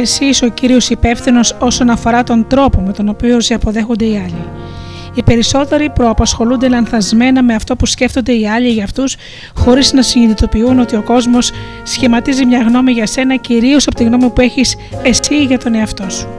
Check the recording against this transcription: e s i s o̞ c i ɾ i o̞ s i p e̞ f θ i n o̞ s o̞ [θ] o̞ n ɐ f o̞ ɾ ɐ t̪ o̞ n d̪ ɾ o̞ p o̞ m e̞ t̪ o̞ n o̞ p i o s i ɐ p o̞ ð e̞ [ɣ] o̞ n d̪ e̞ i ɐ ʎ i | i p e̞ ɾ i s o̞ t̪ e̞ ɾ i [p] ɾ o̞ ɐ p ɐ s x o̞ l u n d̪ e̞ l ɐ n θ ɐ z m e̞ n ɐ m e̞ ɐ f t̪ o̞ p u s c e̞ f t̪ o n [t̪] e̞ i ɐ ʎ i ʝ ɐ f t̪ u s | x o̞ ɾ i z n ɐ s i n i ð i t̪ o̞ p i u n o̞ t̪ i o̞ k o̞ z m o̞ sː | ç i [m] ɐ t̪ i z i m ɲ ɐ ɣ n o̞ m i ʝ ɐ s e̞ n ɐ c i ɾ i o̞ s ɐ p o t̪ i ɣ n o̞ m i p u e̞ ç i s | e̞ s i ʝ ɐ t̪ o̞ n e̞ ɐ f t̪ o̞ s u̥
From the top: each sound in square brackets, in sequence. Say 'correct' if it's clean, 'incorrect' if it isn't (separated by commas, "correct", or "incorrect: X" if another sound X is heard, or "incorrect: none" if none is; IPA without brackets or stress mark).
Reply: incorrect: s, incorrect: x, correct, incorrect: d̪, correct